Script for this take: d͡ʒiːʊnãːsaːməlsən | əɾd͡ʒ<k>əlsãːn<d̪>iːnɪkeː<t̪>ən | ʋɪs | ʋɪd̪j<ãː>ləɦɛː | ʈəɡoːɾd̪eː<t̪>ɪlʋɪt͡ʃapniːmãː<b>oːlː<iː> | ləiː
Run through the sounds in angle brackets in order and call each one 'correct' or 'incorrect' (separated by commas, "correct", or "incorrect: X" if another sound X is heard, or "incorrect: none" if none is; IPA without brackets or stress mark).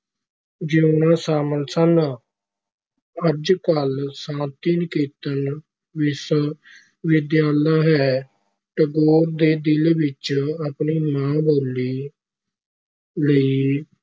correct, incorrect: t̪, correct, incorrect: aː, incorrect: d̪, correct, correct